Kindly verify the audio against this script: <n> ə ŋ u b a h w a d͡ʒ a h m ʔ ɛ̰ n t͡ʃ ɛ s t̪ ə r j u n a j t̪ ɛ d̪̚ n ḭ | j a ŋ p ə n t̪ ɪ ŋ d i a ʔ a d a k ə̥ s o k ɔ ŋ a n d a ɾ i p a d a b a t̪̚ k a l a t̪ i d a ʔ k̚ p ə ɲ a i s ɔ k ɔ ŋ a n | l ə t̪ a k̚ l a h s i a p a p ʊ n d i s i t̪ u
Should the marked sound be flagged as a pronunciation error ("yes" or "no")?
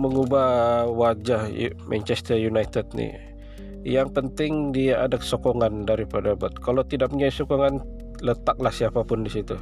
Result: yes